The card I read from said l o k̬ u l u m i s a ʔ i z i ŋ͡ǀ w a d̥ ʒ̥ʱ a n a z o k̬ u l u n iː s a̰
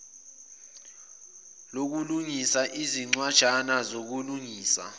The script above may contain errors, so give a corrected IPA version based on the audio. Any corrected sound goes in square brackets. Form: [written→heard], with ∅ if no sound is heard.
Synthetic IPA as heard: l o k̬ u l u [m→ŋ] i s a ʔ i z i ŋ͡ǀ w a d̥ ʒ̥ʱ a n a z o k̬ u l u [n→ŋ] iː s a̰